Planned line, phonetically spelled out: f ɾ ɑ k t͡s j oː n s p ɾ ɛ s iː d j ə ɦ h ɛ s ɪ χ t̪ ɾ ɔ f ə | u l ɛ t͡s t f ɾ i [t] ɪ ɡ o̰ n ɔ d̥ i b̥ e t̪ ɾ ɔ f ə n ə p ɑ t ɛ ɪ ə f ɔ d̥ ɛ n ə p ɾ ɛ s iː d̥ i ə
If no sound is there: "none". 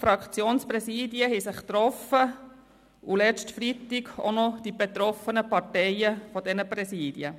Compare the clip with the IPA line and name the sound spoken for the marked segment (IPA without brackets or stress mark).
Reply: t